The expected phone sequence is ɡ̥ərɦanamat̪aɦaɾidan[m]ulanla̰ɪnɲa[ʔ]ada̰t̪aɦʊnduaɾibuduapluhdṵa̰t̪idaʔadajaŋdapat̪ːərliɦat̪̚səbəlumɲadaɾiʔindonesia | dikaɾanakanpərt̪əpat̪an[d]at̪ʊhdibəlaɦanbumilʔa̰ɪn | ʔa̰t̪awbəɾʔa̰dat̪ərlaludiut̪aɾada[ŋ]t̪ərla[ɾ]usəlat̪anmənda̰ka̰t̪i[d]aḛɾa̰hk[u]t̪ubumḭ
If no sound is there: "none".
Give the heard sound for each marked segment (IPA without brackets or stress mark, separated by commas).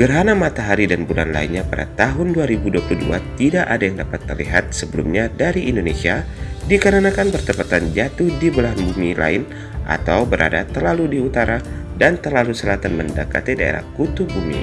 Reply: b, p, d͡ʒ, n, l, d, u